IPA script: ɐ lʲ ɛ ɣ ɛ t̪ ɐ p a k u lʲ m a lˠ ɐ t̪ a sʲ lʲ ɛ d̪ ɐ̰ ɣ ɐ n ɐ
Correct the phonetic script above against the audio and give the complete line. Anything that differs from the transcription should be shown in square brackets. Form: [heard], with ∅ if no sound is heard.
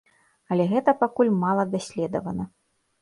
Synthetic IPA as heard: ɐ lʲ ɛ ɣ ɛ t̪ ɐ p a k u lʲ m a lˠ ɐ [d̪] a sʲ lʲ ɛ d̪ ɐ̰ [v] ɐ n ɐ